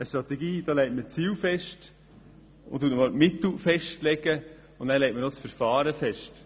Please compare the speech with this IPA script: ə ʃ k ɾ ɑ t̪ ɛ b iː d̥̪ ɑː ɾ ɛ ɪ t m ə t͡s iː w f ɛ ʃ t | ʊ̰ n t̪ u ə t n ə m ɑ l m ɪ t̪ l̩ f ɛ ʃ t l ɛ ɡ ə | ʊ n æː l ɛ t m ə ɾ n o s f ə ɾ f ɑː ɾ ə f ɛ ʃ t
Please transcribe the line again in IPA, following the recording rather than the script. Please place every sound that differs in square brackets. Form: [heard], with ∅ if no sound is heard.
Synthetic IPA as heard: ə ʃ [t] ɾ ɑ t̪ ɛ [ɡ] iː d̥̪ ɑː [l] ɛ ɪ t m ə t͡s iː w f ɛ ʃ t | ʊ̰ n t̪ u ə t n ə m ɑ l m ɪ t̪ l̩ f ɛ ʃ t l ɛ ɡ ə | ʊ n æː l ɛ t m ə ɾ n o s f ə ɾ f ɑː ɾ ə f ɛ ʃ t